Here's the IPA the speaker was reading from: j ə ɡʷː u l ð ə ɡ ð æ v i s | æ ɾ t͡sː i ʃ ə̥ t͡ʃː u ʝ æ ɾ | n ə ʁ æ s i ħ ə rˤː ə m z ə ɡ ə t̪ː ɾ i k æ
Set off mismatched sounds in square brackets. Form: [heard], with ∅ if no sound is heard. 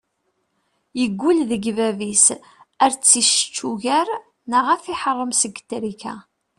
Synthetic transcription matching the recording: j ə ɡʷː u l ð ə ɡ [v] æ v i s | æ ɾ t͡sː i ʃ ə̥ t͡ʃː u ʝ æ ɾ | n ə ʁ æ [f] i ħ ə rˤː ə m [s] ə ɡ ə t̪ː ɾ i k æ